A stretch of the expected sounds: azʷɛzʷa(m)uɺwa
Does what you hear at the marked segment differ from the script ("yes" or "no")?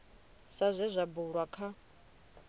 yes